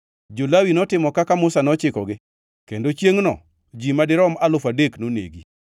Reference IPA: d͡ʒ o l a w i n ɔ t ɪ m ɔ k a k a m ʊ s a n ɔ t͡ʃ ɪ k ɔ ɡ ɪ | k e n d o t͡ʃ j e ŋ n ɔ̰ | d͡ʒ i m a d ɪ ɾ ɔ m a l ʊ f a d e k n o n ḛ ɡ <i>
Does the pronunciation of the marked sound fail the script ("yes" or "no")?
no